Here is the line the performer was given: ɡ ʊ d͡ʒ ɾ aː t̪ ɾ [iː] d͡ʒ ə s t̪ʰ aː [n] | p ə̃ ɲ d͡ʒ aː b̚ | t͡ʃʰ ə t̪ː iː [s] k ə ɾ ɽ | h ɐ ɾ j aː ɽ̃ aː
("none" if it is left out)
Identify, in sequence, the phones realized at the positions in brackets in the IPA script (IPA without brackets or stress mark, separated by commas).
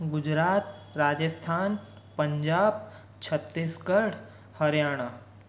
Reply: aː, n, s